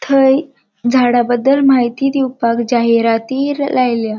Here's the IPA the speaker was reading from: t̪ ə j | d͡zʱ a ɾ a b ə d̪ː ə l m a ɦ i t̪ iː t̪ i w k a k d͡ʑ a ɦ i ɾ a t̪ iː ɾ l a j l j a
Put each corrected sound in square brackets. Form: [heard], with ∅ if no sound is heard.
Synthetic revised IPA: [t̪ʰ] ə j | d͡zʱ a [ɽ] a b ə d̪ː ə l m a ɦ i t̪ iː [d̪] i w [p] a k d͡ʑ a ɦ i ɾ a t̪ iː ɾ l a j l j a